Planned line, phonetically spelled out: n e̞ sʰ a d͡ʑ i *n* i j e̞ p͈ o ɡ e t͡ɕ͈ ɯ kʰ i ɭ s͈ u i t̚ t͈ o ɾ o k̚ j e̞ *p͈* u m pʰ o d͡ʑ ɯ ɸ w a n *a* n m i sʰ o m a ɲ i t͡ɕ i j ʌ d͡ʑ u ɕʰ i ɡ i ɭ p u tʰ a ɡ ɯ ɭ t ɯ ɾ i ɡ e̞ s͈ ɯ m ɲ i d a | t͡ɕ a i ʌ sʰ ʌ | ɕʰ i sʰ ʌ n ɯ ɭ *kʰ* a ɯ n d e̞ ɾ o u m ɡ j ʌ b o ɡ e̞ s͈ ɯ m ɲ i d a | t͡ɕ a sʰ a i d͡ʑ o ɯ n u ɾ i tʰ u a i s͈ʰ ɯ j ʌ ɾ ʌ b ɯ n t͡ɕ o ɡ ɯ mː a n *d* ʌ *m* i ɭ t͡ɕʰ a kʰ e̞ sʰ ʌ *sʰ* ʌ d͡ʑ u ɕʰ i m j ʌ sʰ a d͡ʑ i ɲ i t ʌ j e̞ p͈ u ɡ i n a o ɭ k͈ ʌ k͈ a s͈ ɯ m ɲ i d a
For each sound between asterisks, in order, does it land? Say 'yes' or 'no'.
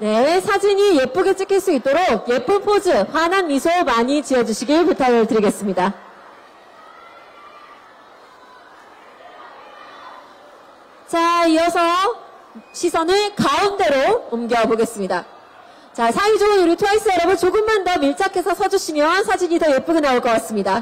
no, yes, yes, no, yes, yes, yes

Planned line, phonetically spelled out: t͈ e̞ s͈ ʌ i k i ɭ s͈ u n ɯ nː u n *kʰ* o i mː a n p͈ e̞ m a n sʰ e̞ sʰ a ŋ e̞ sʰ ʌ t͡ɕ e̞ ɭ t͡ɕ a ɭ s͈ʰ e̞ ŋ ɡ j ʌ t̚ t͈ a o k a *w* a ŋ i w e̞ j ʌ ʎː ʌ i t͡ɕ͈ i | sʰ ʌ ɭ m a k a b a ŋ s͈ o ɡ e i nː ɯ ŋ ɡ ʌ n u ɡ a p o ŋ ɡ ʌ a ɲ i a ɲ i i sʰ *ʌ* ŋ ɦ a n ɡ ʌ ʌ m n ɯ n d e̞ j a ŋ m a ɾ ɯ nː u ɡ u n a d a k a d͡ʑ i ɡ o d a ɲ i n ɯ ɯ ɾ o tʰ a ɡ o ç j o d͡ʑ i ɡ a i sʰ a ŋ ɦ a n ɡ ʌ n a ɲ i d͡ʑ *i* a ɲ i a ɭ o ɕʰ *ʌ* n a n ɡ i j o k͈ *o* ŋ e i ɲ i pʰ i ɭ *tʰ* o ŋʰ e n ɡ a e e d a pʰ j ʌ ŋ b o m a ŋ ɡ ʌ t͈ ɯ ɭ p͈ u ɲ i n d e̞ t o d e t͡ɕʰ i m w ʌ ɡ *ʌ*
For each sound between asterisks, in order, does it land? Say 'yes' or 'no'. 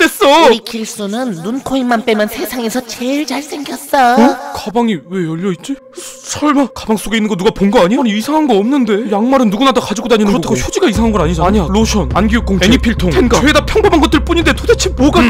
yes, no, no, no, yes, yes, yes, no

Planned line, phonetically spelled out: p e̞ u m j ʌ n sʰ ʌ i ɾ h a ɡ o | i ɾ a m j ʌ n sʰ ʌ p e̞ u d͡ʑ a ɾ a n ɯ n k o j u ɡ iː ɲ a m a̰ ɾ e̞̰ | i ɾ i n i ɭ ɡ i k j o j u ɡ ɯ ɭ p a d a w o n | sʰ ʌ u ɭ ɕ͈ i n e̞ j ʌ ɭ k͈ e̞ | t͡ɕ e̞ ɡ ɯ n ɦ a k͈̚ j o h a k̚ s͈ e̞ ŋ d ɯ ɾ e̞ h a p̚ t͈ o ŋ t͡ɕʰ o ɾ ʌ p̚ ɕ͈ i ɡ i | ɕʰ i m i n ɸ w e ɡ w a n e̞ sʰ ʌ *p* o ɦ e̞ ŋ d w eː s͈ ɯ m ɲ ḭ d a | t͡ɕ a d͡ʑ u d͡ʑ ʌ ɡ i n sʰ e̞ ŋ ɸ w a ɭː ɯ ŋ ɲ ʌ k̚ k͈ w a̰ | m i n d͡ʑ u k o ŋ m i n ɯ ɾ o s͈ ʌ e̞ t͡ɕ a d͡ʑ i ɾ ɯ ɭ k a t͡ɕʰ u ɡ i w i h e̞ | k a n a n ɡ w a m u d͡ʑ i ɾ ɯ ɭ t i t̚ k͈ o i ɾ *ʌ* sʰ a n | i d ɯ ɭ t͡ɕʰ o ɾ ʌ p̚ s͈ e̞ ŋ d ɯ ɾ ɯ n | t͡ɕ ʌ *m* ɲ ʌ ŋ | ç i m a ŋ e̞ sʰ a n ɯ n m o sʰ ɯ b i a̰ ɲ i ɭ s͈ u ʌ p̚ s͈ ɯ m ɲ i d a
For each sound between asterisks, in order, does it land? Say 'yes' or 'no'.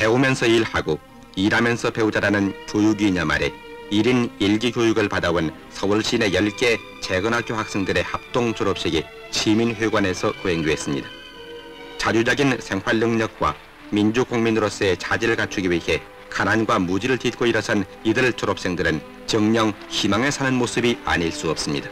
no, yes, no

